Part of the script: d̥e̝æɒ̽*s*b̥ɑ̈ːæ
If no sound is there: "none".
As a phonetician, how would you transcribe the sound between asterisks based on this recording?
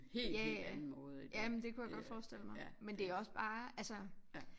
s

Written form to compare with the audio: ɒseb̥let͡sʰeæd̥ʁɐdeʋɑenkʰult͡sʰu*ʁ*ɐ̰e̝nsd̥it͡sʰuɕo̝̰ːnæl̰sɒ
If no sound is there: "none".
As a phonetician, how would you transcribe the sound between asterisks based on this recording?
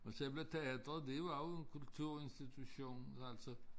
none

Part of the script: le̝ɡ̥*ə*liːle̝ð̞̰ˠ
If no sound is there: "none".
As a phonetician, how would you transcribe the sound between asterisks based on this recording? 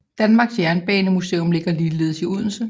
ɐ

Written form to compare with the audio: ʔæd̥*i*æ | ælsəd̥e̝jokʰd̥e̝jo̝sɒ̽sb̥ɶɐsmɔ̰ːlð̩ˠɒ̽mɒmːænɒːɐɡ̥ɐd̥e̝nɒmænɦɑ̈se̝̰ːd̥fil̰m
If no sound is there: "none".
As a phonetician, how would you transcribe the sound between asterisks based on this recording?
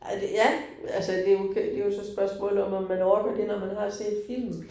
j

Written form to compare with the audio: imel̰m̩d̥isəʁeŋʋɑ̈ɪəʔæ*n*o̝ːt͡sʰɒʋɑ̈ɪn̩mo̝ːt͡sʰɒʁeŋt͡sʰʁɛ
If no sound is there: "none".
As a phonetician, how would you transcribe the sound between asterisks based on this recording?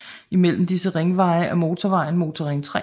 m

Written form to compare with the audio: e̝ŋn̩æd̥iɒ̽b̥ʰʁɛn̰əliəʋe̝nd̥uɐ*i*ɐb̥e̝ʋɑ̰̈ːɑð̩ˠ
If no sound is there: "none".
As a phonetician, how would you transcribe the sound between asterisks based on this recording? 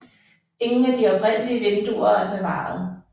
æ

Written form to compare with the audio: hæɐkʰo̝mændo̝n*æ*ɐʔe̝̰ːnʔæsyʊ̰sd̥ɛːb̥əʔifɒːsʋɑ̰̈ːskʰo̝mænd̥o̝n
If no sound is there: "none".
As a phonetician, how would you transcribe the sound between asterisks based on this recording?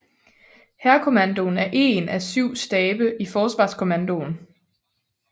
æ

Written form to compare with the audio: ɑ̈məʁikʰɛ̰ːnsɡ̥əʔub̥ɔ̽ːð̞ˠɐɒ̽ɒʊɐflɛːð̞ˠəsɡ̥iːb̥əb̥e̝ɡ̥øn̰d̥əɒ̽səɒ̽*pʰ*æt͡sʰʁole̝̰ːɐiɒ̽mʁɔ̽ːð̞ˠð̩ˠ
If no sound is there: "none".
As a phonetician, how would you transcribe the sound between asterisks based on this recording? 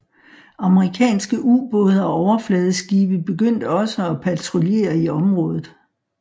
pʰ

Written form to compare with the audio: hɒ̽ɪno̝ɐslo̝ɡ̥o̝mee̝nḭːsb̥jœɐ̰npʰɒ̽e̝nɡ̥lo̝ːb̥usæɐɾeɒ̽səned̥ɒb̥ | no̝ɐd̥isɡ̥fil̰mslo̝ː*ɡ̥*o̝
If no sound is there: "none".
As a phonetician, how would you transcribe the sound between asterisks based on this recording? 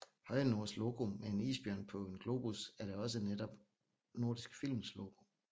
ɡ̥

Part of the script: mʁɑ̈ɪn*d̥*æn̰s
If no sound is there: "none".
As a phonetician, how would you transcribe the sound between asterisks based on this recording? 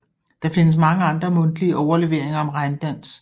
d̥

